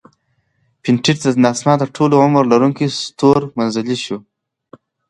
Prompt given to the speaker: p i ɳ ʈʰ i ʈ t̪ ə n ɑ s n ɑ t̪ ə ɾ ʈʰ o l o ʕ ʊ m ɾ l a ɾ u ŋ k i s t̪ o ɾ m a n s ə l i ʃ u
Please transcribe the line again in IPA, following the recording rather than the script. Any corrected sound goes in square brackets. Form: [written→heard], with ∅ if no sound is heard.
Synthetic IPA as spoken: p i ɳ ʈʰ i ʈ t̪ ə n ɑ s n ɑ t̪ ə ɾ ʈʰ o l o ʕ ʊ m ɾ l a ɾ u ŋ k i s t̪ o ɾ m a n [s→z] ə l i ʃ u